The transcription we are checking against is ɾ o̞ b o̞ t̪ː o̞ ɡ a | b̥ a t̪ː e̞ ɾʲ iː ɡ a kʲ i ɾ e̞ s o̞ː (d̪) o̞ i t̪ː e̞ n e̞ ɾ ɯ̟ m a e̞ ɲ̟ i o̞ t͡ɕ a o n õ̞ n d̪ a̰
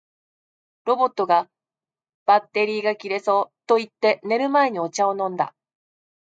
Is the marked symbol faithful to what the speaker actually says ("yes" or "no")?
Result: no